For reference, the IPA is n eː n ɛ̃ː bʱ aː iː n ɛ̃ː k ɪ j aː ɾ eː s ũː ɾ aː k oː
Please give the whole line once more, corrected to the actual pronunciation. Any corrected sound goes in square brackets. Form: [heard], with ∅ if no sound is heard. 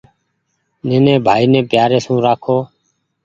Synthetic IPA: n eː n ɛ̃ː bʱ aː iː n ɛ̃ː [p] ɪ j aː ɾ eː s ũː ɾ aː [kʰ] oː